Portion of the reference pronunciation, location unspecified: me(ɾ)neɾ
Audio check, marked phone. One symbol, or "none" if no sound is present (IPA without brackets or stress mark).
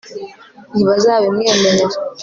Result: none